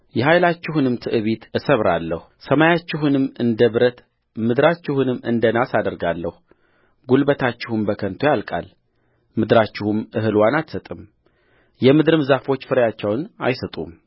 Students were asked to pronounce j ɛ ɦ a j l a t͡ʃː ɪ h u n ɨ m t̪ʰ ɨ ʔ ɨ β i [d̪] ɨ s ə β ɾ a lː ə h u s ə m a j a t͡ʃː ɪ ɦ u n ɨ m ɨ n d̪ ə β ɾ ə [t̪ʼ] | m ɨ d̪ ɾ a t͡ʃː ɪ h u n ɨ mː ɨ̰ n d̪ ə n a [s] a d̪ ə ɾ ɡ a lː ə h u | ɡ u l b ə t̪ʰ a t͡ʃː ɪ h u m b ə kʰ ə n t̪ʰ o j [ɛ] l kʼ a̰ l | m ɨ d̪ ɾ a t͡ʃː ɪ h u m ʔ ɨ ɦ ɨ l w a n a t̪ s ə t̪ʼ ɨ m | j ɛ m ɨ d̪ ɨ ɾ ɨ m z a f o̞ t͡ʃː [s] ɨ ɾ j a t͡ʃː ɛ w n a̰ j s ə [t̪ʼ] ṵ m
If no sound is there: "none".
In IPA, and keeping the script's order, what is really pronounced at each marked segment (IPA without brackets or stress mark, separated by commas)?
t̪, t̪, s, a, f, t̪ʼ